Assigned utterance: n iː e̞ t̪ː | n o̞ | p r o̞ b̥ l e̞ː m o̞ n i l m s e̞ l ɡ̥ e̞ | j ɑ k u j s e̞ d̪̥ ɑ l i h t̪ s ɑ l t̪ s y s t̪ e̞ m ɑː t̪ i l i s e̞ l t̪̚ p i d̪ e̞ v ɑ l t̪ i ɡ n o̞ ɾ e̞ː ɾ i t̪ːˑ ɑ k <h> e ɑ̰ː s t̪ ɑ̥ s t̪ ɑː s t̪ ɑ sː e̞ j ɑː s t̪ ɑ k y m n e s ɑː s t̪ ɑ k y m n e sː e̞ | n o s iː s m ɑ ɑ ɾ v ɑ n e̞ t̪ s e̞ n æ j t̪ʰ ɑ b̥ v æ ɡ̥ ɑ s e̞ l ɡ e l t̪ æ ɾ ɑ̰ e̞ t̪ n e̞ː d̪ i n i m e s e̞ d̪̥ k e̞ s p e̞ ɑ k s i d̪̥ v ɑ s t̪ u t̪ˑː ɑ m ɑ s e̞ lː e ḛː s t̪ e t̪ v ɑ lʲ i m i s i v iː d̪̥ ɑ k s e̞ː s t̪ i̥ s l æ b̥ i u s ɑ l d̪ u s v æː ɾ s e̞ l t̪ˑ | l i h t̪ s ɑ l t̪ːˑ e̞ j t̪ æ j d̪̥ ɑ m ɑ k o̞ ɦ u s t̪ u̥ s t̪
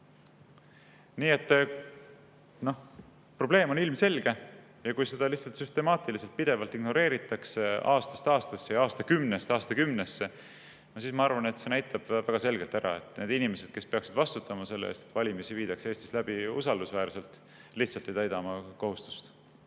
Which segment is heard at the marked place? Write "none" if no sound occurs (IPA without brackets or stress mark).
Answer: s